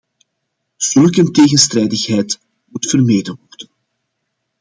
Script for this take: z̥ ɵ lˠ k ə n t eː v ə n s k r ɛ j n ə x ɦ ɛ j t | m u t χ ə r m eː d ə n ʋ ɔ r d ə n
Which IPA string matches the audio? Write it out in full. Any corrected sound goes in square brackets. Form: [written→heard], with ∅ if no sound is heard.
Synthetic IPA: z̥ ɵ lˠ k ə n t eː [v→ɣ] ə n s [k→t] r ɛ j [n→d] ə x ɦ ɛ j t | m u t [χ→f] ə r m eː d ə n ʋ ɔ r d ə n